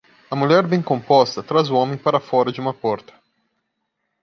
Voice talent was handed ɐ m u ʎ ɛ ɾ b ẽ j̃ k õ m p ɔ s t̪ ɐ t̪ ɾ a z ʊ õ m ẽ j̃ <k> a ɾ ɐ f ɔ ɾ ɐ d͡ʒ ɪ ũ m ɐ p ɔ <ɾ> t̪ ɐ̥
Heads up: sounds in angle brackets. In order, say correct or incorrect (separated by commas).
incorrect, correct